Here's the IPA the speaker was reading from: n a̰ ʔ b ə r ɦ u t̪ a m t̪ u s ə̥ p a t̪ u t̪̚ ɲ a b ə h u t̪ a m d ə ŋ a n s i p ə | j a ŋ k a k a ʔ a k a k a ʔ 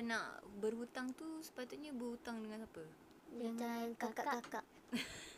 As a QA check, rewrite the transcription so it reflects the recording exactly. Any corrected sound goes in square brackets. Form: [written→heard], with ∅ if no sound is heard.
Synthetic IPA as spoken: n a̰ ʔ b ə r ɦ u t̪ a [m→ŋ] t̪ u s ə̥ p a t̪ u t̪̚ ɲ a b ə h u t̪ a [m→ŋ] d ə ŋ a n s [i→a] p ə | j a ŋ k a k a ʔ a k a k a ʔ